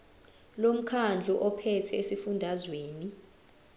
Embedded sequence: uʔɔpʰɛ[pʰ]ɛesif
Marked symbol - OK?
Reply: no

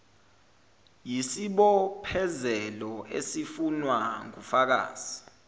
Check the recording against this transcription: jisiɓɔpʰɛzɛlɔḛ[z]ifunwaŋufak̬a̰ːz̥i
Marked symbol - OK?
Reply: no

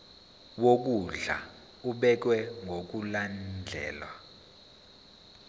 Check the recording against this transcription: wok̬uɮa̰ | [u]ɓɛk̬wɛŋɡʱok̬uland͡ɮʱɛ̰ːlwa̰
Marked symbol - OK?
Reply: yes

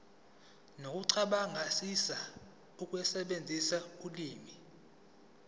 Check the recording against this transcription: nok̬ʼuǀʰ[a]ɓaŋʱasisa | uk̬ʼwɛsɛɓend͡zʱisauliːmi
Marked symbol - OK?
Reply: yes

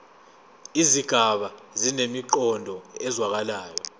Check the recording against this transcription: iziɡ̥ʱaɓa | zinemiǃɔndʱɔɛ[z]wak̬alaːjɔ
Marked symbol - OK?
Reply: yes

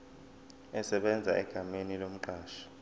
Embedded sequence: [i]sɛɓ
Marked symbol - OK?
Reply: no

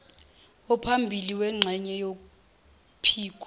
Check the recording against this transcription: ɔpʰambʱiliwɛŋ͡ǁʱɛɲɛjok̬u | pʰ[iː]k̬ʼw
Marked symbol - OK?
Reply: yes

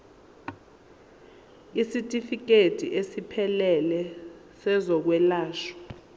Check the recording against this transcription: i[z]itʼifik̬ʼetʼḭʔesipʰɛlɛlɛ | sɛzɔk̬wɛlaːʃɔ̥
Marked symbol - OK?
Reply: no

